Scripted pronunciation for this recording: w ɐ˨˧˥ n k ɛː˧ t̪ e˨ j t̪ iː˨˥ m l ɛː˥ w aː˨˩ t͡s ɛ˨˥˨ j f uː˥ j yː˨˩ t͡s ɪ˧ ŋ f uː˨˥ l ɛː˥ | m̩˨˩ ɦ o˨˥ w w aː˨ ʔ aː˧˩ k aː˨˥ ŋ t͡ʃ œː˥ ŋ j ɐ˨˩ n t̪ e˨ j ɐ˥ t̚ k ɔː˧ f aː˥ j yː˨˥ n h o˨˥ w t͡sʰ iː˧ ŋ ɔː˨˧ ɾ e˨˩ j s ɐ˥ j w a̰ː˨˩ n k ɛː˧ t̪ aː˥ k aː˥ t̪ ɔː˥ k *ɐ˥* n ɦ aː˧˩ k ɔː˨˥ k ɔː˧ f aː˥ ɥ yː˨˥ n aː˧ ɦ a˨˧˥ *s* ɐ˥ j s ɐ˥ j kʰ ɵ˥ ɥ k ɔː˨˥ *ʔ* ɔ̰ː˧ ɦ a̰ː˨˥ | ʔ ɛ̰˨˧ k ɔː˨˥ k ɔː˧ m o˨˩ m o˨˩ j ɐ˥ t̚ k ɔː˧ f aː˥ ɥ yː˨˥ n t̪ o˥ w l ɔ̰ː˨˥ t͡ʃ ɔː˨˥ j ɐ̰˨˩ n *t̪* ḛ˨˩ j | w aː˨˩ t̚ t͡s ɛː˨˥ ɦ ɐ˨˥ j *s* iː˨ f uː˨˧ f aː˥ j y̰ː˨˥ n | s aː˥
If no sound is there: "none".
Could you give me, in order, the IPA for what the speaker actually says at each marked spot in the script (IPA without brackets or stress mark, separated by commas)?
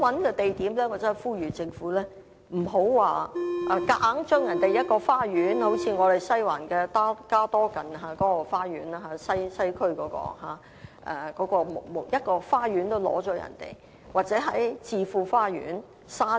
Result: ɐ˨˩, s, k, t̪, t͡s